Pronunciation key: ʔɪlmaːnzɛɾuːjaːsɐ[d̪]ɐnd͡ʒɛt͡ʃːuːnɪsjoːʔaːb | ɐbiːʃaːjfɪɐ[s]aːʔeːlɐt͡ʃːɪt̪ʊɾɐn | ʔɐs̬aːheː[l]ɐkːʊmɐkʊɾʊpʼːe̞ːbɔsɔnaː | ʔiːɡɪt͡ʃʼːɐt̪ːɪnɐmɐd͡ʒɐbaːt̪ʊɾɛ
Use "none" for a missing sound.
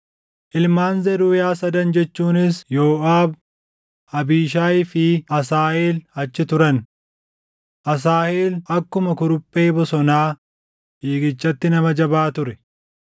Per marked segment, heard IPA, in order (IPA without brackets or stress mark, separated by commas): d̪, s, l